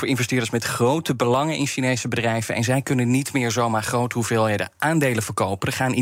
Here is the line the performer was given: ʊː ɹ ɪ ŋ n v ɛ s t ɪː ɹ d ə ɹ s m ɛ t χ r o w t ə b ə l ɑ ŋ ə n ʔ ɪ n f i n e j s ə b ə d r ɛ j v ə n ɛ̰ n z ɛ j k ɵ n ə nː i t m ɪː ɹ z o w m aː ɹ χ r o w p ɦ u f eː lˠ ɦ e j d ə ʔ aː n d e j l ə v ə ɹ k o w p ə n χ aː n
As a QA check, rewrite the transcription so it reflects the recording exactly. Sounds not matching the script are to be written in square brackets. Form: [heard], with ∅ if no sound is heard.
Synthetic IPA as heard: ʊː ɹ ɪ [∅] n v ɛ s t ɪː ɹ d ə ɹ s m ɛ t χ r o w t ə b ə l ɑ ŋ ə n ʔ ɪ n [ʃ] i n e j s ə b ə d r ɛ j v ə n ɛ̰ n z ɛ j k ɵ n ə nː i t m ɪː ɹ z o w m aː ɹ χ r o w [t] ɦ u [v] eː lˠ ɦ e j d ə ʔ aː n d e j l ə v ə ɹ k o w p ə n χ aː n